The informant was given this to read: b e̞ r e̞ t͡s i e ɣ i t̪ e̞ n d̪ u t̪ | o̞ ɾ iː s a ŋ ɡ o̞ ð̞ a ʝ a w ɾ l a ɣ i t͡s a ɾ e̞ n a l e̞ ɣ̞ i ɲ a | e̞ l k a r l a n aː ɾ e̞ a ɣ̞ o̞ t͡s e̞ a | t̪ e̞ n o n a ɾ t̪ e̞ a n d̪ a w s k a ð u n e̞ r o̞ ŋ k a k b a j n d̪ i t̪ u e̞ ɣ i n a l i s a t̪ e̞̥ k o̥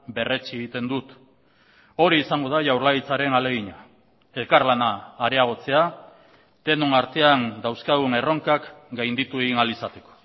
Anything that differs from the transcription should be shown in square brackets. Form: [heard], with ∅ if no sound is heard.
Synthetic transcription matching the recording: b e̞ r e̞ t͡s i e ɣ i t̪ e̞ n d̪ u t̪ | o̞ ɾ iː s a ŋ ɡ o̞ ð̞ a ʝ a w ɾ l a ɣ i t͡s a ɾ e̞ n a l e̞ ɣ̞ i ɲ a | e̞ l k a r l a n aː ɾ e̞ a ɣ̞ o̞ t͡s e̞ a | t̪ e̞ n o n a ɾ t̪ e̞ a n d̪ a w s k a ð u n e̞ r o̞ ŋ k a k [ɡ] a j n d̪ i t̪ u e̞ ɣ i n a l i s a t̪ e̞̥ k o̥